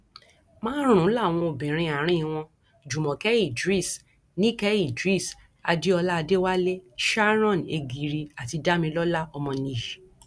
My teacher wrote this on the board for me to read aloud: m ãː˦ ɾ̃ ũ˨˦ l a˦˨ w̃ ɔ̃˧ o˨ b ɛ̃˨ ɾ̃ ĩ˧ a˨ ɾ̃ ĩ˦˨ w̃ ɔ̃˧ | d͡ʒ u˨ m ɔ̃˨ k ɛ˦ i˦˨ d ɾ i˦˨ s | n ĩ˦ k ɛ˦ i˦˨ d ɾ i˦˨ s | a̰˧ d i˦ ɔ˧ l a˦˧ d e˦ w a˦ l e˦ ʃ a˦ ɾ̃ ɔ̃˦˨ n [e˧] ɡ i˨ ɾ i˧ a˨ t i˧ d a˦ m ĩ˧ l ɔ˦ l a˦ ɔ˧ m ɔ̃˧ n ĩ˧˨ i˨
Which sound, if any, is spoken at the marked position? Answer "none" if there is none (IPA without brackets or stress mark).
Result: e˧